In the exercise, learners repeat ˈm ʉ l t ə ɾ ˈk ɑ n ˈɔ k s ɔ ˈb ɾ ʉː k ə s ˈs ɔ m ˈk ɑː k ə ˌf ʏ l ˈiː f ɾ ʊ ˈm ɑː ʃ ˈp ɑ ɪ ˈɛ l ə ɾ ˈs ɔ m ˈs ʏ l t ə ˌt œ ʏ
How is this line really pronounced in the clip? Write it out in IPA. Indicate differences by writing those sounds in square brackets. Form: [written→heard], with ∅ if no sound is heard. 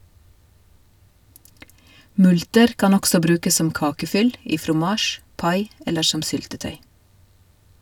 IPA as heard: ˈm ʉ l t ə ɾ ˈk ɑ n ˈɔ k s ɔ ˈb ɾ ʉː k ə s ˈs ɔ m ˈk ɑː k ə ˌf ʏ l ˈiː f ɾ ʊ ˈm ɑː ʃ ˈp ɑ ɪ ˈɛ l ə ɾ [ˈs→ˈʃ] ɔ m ˈs ʏ l t ə ˌt œ ʏ